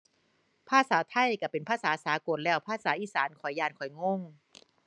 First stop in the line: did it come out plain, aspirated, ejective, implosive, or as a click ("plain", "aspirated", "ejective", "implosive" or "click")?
aspirated